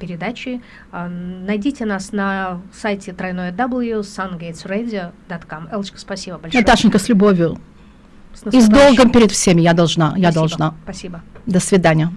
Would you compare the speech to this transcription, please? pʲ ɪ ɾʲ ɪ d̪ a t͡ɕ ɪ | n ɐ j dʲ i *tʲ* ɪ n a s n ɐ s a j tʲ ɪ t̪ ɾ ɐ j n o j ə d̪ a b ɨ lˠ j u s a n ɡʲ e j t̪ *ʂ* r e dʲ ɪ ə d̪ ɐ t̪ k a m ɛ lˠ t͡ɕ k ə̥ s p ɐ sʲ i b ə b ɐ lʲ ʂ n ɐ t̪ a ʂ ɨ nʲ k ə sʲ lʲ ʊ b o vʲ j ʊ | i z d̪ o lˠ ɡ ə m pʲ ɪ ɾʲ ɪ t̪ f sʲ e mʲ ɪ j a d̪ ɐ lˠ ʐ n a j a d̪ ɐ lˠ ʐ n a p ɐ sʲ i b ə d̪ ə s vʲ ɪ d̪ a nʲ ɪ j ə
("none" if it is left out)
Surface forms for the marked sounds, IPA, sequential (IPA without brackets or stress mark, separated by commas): tʲ, s